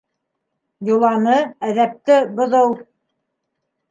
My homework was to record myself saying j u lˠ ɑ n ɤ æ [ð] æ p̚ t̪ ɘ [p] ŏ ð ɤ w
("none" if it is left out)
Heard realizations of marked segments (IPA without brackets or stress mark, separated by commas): ð, b